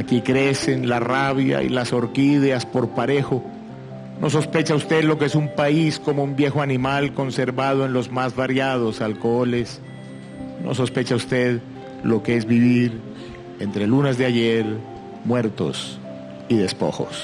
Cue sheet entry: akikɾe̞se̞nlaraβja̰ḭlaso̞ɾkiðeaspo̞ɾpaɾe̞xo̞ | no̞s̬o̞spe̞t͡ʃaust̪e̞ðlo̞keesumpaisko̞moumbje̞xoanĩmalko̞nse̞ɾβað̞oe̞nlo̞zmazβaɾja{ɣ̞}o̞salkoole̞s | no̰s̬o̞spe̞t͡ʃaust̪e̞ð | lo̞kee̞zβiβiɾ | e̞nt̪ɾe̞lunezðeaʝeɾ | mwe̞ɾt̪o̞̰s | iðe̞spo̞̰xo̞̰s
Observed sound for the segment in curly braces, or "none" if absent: ð̞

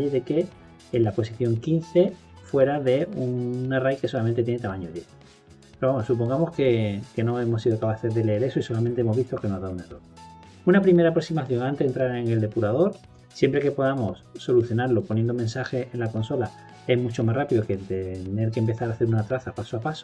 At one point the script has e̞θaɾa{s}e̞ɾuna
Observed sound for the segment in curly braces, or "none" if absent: θ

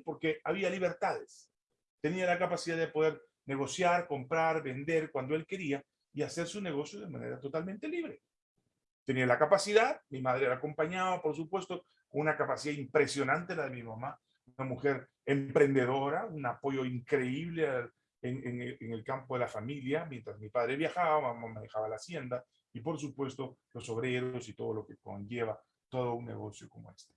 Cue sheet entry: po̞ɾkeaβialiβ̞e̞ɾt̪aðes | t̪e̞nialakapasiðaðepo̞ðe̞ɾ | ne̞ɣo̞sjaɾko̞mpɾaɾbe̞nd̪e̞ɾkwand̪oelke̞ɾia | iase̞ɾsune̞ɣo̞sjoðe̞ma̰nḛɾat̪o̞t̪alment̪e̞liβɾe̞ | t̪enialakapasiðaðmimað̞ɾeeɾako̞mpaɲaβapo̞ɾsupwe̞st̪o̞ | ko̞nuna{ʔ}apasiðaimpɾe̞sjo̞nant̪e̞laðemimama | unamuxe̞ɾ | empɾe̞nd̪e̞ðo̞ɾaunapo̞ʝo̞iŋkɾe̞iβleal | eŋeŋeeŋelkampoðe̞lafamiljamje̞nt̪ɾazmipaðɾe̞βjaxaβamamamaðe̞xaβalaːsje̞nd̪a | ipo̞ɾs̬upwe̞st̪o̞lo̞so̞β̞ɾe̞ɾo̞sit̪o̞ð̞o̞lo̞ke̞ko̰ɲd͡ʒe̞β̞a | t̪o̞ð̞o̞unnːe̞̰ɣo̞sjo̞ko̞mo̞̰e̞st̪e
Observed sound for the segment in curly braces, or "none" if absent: k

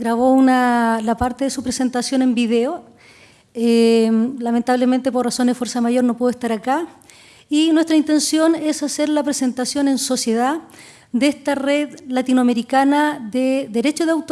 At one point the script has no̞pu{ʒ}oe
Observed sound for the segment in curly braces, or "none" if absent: ð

